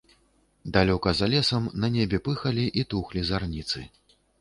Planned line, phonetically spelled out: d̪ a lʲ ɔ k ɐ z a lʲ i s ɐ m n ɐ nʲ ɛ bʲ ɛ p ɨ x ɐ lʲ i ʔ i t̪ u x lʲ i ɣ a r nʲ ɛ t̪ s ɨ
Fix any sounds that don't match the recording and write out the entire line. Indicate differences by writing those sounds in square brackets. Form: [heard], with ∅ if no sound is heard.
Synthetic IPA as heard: d̪ a lʲ ɔ k ɐ z a lʲ [ɛ] s ɐ m n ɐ nʲ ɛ bʲ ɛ p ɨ x ɐ lʲ i ʔ i t̪ u x lʲ i [z] a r nʲ [i] t̪ s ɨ